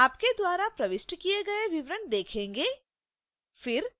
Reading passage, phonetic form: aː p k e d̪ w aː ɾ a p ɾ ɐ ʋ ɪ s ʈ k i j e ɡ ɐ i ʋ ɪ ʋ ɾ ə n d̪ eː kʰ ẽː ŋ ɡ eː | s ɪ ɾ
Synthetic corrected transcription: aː p k e d̪ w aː ɾ a p ɾ ɐ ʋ ɪ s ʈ k i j e ɡ ɐ e ʋ ɪ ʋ ɾ ə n d̪ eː kʰ ẽː ŋ ɡ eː | f ɪ ɾ